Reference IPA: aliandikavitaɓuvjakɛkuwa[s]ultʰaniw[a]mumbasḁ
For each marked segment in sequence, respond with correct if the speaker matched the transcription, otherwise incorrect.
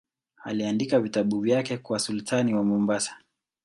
correct, correct

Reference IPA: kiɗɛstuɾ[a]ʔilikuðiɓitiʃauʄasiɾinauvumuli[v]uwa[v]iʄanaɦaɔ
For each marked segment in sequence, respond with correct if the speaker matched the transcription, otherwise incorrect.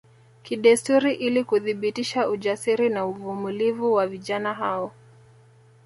incorrect: i, correct, correct

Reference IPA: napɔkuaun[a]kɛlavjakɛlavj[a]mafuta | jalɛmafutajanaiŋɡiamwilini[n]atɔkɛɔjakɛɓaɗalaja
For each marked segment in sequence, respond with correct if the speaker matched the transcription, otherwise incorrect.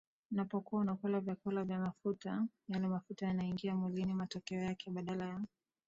correct, correct, incorrect: m

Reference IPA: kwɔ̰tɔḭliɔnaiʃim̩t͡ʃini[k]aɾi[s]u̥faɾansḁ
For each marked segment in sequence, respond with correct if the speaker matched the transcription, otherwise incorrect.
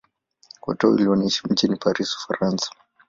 incorrect: p, correct

